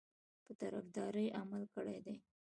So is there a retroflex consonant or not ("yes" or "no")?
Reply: yes